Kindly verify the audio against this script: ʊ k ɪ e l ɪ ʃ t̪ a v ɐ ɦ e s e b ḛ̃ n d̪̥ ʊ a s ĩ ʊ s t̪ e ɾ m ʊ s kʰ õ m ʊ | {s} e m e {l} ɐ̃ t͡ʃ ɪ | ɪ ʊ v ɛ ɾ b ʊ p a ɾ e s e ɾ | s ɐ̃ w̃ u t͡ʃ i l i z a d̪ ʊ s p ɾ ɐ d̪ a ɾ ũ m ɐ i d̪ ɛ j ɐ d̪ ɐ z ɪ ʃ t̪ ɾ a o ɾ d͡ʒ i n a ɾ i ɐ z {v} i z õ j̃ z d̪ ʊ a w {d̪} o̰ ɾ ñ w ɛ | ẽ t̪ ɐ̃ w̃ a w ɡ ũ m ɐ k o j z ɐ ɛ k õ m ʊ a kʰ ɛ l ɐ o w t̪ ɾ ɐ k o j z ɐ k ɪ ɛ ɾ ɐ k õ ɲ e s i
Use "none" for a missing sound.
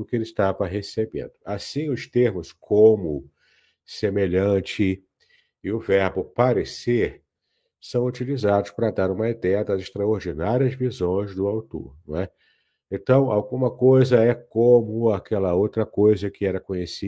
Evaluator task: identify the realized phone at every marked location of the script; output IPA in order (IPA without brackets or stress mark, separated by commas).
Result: s, ʎ, v, t̪